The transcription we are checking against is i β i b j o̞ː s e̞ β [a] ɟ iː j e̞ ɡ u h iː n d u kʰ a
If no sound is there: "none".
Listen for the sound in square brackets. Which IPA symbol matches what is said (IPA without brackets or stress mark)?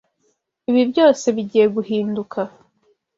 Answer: i